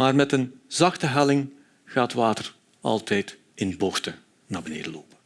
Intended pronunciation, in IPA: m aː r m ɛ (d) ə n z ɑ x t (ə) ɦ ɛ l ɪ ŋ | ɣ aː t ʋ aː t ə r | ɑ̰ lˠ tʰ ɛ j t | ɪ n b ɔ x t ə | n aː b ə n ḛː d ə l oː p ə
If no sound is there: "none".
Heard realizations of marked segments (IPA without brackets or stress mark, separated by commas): t, ə